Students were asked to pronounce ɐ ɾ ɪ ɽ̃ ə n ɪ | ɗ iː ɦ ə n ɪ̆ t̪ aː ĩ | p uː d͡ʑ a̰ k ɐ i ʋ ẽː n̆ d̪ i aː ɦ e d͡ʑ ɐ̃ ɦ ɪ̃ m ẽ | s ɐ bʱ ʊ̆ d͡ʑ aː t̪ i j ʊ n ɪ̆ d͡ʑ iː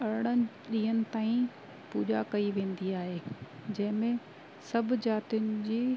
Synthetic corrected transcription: ɐ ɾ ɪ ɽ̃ ə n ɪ | ɗ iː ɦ ə n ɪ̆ t̪ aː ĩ | p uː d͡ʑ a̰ k ɐ i ʋ ẽː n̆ d̪ i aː ɦ e d͡ʑ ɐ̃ ɦ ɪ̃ m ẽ | s ɐ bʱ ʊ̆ d͡ʑ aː t̪ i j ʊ n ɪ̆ d͡ʑ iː